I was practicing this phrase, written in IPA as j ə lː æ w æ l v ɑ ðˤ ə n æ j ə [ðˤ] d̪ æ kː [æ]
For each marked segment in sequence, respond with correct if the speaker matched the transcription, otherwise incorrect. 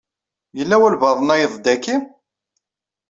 correct, incorrect: i

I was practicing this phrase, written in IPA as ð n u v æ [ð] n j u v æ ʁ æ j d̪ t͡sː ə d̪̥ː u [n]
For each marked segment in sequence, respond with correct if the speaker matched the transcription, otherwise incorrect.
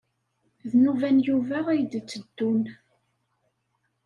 incorrect: none, correct

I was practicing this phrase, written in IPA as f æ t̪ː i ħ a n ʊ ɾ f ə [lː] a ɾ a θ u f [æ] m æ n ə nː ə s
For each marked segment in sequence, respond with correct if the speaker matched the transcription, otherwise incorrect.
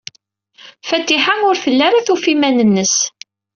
correct, incorrect: i

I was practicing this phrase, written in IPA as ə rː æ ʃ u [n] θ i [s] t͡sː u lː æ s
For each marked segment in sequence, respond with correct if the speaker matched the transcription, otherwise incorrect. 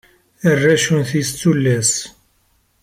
correct, correct

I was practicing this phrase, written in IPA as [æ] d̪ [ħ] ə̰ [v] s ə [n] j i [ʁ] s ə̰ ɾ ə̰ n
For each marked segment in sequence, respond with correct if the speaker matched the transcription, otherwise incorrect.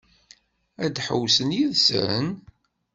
correct, correct, incorrect: w, correct, incorrect: ð

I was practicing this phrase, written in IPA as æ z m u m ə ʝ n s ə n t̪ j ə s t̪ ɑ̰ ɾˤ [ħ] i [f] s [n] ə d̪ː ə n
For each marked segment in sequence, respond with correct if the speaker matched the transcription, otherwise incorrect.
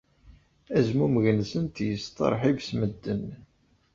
correct, incorrect: v, incorrect: m

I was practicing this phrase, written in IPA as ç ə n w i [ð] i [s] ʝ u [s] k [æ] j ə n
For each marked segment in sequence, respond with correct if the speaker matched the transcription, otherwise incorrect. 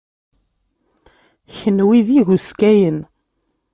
correct, incorrect: none, correct, correct

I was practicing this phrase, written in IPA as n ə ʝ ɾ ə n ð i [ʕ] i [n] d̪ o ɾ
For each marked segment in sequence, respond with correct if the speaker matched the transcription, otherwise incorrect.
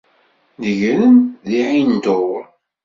correct, correct

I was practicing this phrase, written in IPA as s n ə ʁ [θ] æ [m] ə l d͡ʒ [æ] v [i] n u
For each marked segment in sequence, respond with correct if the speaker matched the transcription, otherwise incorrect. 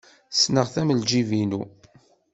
correct, correct, incorrect: i, correct

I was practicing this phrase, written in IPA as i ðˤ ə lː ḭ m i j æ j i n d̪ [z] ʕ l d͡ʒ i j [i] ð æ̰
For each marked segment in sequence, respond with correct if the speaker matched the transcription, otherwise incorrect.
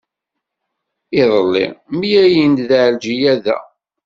incorrect: ð, incorrect: æ

